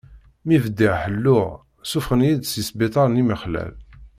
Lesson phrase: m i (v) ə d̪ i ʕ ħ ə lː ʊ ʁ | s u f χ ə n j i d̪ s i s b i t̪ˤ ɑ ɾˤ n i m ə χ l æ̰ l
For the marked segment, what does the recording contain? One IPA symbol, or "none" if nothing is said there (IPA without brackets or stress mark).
v